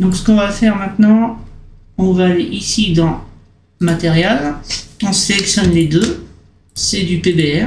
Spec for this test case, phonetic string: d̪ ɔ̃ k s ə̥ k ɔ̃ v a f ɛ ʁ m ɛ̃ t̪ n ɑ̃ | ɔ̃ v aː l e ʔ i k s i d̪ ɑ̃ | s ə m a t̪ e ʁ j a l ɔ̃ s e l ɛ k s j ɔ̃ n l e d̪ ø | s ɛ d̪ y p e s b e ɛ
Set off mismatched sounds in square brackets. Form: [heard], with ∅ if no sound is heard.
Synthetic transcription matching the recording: d̪ ɔ̃ k s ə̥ k ɔ̃ v a f ɛ ʁ m ɛ̃ t̪ n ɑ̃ | ɔ̃ v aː l e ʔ i [∅] s i d̪ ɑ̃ | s ə m a t̪ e ʁ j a l ɔ̃ s e l ɛ k s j [ɔ] n l e d̪ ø | s ɛ d̪ y p e [∅] b e ɛ